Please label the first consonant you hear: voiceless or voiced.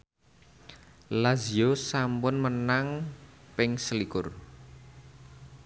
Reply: voiced